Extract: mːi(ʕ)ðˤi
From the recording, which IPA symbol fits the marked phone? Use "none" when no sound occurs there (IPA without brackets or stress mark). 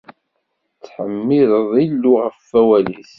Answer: ð